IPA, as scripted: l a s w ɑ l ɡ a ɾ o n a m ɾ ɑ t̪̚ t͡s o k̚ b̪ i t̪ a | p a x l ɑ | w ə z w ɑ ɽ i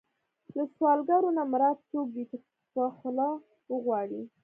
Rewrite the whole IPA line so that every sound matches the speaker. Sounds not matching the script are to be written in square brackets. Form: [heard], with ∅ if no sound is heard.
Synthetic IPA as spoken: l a s w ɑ l ɡ a ɾ o n a m ɾ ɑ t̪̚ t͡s o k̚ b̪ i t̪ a | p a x l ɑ | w ə [ɣ] w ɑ ɽ i